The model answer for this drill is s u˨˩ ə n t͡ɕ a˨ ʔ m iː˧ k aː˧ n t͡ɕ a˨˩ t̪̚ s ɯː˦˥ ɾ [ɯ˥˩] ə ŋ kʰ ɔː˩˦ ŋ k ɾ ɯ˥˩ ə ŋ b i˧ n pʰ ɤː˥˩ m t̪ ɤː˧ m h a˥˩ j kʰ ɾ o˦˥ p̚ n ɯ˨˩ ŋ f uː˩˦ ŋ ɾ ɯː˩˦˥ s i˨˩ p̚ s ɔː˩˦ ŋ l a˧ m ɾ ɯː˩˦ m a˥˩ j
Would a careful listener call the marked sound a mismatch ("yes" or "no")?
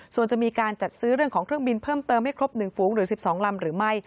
no